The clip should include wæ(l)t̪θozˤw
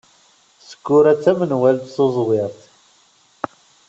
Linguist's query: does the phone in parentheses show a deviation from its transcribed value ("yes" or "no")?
no